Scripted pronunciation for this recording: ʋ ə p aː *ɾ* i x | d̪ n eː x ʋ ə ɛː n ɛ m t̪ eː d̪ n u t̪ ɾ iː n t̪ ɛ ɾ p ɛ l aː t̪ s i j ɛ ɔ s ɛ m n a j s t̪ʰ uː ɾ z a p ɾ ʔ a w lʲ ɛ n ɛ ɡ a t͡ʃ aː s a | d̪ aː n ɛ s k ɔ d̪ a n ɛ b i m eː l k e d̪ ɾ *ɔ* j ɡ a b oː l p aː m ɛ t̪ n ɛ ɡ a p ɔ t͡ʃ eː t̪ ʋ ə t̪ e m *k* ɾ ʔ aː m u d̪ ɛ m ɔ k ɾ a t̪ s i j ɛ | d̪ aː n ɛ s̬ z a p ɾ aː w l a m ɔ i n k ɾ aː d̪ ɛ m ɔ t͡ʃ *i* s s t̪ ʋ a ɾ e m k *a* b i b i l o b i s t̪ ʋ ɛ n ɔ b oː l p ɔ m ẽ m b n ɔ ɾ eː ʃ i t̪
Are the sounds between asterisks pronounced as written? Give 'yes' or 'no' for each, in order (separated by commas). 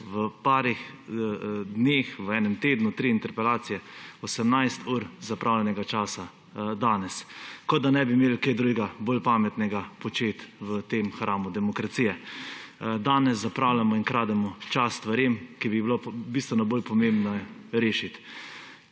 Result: yes, no, no, no, no